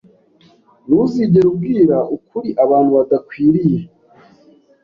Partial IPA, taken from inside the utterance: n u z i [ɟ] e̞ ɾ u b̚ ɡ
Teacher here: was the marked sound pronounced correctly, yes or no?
yes